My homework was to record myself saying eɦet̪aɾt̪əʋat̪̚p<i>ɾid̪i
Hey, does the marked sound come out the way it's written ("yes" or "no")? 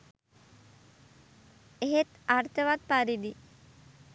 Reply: no